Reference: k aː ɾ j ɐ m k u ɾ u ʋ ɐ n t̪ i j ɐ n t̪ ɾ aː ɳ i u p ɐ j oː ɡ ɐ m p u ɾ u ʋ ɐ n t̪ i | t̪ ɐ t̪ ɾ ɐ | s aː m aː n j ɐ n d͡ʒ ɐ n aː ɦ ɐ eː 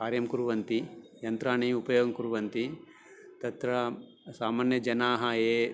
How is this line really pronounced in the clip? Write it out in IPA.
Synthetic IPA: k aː ɾ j ɐ m k u ɾ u ʋ ɐ n t̪ i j ɐ n t̪ ɾ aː ɳ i u p ɐ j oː ɡ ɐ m k u ɾ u ʋ ɐ n t̪ i | t̪ ɐ t̪ ɾ ɐ | s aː m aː n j ɐ d͡ʒ ɐ n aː ɦ ɐ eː